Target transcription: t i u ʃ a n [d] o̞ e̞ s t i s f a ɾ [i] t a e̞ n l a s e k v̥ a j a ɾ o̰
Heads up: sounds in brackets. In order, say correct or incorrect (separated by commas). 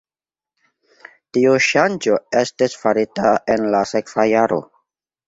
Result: incorrect, correct